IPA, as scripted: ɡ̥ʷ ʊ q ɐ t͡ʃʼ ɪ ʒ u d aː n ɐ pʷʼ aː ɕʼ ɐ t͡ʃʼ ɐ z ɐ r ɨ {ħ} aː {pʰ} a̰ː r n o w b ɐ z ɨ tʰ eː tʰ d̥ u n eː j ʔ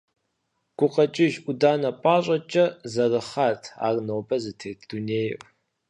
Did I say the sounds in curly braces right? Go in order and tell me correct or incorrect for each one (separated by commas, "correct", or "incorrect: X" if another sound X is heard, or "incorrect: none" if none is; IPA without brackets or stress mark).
incorrect: χ, incorrect: tʰ